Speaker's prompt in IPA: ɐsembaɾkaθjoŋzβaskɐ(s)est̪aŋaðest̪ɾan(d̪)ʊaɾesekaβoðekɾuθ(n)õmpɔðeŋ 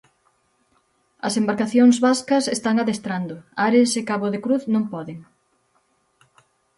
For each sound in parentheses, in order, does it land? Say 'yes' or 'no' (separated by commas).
yes, yes, yes